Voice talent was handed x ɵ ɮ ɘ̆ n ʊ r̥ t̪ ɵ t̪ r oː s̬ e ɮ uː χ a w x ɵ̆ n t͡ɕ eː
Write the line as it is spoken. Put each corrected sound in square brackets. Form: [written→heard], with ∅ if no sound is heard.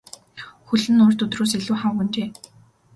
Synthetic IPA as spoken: x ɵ ɮ ɘ̆ n ʊ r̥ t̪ ɵ t̪ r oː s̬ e ɮ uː χ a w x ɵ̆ n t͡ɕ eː